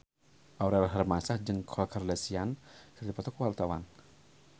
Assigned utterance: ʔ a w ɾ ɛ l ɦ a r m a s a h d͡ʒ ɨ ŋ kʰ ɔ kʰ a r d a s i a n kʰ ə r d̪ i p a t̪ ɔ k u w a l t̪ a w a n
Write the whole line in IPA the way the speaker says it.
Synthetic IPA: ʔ a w ɾ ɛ l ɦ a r m a s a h d͡ʒ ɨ ŋ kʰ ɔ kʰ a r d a s i a n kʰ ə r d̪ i p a t̪ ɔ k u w a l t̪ a w a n